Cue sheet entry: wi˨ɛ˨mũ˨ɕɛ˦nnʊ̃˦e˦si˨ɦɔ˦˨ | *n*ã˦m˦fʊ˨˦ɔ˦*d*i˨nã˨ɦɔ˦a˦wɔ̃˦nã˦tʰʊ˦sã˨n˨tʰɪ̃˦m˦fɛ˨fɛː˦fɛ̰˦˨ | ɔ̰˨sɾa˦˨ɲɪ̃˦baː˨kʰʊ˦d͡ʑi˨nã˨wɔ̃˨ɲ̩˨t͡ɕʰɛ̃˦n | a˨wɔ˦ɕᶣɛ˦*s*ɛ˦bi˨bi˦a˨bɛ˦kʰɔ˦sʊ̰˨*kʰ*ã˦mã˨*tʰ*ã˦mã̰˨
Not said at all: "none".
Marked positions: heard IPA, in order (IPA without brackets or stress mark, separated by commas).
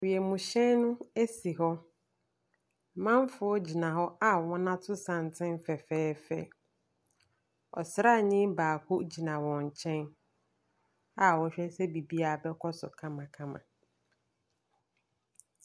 m, d͡ʑ, s, kʰ, kʰ